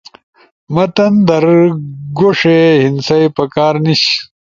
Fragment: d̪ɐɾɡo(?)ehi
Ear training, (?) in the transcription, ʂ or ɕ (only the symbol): ʂ